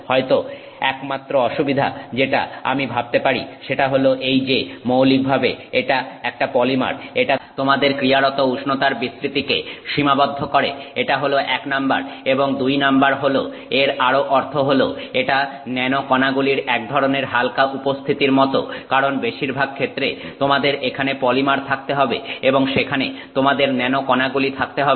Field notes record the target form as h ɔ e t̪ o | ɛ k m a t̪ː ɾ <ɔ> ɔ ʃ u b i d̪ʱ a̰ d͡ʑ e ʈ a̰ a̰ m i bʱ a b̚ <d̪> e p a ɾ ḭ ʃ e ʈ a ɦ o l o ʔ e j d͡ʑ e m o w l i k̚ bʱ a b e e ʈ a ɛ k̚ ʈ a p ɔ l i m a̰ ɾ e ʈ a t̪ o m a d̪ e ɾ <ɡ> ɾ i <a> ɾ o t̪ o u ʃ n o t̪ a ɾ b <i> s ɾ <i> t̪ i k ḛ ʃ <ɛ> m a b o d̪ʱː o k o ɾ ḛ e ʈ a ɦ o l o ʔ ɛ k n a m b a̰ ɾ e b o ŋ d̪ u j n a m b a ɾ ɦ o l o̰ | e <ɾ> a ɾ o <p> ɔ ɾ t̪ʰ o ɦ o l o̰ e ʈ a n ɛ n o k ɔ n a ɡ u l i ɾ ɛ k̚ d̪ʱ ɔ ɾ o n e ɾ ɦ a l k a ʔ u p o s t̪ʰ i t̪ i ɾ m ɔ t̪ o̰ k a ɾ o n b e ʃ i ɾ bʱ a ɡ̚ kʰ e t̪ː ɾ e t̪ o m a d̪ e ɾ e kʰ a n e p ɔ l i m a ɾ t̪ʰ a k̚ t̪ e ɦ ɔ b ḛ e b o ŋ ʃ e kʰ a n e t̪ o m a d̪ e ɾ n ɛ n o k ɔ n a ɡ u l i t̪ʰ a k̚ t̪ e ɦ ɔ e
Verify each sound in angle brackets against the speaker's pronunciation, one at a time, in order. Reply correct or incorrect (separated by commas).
incorrect, incorrect, incorrect, correct, correct, correct, incorrect, correct, incorrect